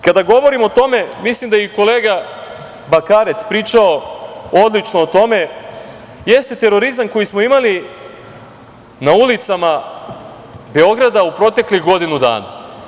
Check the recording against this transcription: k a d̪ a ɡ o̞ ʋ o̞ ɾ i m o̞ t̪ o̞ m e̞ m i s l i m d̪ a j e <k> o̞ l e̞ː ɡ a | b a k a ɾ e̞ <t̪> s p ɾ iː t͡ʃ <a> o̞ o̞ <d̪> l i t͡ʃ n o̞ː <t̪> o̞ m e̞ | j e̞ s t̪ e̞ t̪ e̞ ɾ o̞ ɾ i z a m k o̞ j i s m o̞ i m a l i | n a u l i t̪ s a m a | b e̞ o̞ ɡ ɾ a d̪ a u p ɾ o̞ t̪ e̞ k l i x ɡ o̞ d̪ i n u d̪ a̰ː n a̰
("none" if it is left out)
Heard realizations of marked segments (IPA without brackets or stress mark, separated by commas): k, t̪, a, d̪, t̪